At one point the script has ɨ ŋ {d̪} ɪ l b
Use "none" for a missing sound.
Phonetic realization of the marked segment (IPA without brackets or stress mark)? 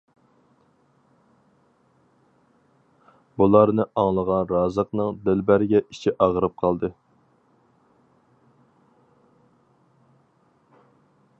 d̪